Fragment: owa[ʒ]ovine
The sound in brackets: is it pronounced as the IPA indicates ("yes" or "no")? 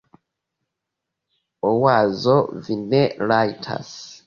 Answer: no